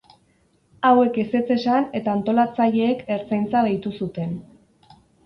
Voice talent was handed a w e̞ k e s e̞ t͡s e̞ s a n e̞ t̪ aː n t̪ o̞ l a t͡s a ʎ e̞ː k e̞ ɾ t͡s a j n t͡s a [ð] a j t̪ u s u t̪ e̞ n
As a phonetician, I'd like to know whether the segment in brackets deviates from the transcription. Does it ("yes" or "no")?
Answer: no